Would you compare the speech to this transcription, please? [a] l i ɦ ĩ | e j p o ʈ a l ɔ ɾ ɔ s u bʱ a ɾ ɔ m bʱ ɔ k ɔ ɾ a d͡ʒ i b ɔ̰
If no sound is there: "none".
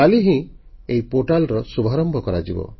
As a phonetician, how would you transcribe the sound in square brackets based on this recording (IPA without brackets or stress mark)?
a